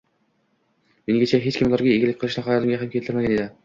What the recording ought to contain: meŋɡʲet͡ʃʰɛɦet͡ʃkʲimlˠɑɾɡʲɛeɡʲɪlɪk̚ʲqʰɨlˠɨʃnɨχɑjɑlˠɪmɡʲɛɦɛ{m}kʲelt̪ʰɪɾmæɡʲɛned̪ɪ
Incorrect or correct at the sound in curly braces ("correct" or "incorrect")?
correct